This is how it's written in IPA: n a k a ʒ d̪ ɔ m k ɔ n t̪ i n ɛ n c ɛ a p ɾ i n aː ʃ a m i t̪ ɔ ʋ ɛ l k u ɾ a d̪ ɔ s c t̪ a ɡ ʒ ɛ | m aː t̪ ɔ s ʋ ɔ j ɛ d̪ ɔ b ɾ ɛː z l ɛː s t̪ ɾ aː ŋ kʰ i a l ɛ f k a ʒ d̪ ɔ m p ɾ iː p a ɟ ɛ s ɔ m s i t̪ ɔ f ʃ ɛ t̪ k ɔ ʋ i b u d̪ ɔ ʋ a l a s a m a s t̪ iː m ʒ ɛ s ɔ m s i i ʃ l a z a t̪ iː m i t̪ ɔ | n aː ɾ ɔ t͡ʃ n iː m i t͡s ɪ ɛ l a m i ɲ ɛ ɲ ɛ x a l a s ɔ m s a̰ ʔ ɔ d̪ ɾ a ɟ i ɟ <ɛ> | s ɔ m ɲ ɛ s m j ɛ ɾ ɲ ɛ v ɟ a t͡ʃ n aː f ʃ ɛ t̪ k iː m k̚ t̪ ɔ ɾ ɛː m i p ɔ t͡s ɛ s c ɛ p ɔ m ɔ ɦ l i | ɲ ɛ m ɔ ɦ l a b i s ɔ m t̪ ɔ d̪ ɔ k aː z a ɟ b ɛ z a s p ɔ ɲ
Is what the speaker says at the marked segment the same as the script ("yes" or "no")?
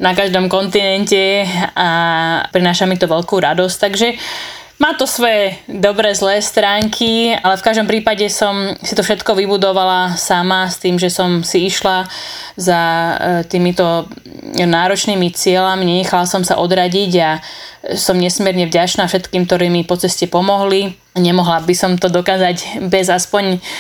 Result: no